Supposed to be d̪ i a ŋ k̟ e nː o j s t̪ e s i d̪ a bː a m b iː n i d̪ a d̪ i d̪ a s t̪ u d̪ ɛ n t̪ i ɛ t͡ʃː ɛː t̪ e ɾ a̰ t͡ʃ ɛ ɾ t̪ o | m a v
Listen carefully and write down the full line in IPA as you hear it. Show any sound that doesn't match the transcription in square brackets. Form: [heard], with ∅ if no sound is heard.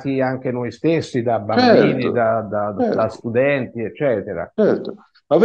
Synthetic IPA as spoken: [t̪] i a ŋ k̟ e [n] o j s t̪ e [sː] i d̪ a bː a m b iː n i d̪ a d̪ [a] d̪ a s t̪ u d̪ ɛ n t̪ i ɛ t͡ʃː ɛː t̪ e ɾ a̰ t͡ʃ ɛ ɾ t̪ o | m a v